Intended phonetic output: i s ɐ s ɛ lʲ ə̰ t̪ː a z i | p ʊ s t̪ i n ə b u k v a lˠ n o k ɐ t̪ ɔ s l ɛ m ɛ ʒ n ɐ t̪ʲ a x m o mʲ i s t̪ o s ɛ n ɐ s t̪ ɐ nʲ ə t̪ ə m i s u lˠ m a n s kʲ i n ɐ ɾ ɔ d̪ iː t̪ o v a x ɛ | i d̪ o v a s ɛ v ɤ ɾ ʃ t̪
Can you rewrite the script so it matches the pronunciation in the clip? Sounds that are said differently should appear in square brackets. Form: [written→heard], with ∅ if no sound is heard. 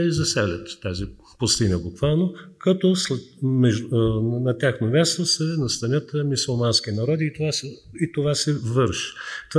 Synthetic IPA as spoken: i [s→z] ɐ s ɛ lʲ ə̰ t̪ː a z i | p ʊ s t̪ i n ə b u k v a lˠ n o k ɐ t̪ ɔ s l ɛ m ɛ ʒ n ɐ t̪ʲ a x [m→n] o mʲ [i→a] s t̪ o s ɛ n ɐ s t̪ ɐ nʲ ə t̪ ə m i s u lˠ m a n s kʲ i n ɐ ɾ ɔ d̪ iː t̪ o v a [x→s] ɛ | i [d̪→t̪] o v a s ɛ v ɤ ɾ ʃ t̪